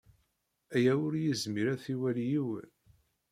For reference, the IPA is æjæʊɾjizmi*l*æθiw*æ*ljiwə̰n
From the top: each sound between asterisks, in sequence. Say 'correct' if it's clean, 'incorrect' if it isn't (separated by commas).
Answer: incorrect, correct